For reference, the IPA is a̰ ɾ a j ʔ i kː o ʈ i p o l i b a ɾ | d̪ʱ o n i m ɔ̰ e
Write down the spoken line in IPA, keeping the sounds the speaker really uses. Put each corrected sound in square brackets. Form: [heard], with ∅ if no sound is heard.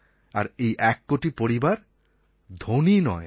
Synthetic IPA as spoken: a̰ ɾ [e] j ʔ [ɛ] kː o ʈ i p o [ɾ] i b a ɾ | d̪ʱ o n i [n] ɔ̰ e